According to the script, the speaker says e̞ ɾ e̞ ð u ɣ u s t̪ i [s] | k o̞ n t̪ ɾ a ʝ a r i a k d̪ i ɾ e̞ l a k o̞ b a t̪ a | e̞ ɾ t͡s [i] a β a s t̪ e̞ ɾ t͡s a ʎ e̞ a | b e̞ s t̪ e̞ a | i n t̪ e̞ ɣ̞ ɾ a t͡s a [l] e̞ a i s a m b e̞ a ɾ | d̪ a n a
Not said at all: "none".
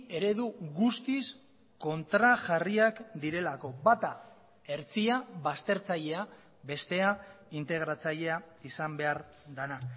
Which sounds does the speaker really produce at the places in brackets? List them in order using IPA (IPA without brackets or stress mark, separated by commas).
s, i, ʎ